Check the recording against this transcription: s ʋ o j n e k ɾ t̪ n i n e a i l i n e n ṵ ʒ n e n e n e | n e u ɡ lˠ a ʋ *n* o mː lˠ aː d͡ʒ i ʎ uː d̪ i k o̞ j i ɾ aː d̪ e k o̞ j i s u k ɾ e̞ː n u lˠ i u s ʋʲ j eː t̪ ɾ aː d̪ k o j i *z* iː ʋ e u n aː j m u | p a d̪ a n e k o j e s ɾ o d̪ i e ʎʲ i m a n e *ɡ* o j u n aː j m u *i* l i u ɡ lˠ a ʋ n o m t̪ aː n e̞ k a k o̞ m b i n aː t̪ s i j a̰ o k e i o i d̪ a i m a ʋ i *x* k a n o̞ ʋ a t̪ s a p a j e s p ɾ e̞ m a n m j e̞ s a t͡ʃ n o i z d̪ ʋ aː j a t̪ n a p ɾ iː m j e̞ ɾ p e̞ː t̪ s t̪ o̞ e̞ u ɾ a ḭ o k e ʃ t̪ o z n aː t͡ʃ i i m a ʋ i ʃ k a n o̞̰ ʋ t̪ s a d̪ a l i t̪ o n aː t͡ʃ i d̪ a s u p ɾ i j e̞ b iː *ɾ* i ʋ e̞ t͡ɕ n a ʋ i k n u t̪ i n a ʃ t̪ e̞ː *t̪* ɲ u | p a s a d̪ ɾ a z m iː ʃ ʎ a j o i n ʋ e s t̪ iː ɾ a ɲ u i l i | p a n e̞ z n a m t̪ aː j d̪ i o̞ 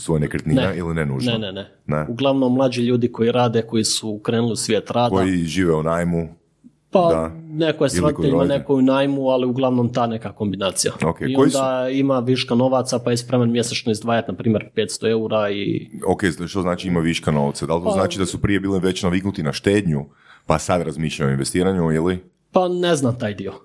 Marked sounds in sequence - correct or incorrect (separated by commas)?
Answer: correct, incorrect, incorrect, incorrect, incorrect, incorrect, incorrect